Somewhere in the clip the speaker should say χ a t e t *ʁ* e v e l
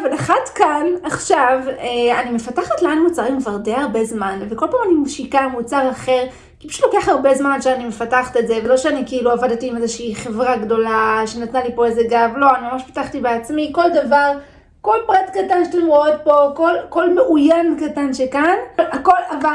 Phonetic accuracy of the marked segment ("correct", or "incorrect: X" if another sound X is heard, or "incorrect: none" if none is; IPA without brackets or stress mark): incorrect: z